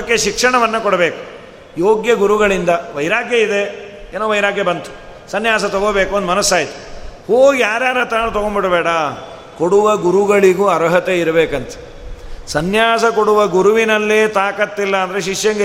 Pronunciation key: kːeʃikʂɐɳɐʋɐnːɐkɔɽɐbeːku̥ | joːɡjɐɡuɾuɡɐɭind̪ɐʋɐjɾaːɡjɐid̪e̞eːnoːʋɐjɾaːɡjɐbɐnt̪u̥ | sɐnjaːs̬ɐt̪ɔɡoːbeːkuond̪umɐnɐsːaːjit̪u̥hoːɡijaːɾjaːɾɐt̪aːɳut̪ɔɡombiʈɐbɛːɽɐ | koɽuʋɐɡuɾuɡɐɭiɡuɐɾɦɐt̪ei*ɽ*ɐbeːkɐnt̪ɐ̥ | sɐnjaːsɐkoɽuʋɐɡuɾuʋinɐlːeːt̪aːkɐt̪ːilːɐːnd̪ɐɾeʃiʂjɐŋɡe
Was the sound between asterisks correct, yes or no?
no